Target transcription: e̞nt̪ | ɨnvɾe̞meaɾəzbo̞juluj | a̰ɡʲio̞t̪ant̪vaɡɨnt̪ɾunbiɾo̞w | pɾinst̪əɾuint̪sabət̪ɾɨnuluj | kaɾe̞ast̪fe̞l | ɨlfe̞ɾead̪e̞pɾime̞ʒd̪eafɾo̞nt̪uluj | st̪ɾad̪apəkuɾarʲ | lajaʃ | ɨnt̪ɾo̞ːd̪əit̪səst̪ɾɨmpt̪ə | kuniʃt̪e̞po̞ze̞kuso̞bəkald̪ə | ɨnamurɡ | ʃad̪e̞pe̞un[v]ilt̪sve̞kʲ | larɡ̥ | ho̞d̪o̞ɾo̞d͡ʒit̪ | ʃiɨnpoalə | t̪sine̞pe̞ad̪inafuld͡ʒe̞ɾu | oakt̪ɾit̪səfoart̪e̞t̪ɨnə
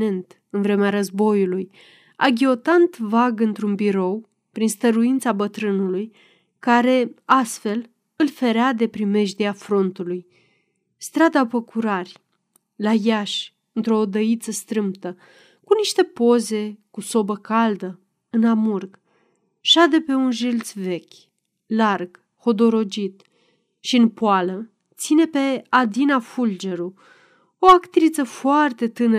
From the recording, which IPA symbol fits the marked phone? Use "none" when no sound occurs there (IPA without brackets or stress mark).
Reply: ʒ